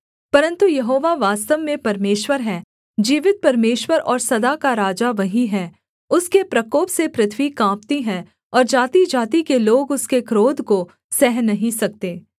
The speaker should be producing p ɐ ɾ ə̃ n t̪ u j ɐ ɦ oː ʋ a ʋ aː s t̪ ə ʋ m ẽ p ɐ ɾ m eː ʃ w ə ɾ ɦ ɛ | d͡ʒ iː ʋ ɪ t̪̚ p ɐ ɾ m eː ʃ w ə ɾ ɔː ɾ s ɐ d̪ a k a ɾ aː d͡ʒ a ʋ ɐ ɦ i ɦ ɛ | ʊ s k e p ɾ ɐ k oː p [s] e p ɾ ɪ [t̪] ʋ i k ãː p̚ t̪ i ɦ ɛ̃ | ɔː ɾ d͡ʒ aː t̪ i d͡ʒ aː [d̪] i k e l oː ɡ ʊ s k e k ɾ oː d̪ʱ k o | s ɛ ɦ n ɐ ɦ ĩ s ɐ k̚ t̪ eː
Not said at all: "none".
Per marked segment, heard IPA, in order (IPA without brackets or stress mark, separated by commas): s, t̪ʰ, t̪